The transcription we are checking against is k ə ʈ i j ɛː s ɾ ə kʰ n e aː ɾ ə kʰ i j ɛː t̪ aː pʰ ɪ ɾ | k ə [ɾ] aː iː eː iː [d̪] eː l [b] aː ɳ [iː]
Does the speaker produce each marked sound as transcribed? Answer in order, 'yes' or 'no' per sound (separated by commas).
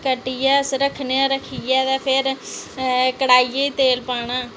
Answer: no, no, no, no